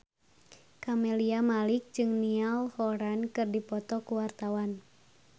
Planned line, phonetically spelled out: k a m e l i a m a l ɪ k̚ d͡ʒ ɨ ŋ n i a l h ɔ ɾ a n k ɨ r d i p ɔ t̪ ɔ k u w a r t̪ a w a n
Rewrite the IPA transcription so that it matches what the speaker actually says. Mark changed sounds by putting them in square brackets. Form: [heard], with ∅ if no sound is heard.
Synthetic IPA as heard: k a m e l i a m a l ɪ k̚ d͡ʒ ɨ ŋ n i a l h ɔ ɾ a n k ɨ r d i p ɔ t̪ ɔ k u w a r t̪ a w a n